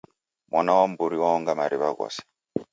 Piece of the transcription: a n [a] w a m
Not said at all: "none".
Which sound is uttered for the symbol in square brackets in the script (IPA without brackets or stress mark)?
a